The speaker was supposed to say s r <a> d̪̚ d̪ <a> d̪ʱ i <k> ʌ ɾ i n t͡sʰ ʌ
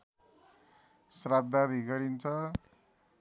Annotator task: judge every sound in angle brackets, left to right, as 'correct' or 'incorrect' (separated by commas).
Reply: correct, correct, incorrect